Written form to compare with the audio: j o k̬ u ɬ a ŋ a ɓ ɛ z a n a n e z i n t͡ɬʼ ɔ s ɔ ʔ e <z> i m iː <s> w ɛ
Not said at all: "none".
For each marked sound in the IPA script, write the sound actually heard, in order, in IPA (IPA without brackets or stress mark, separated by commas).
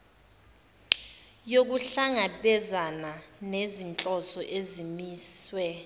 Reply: z, s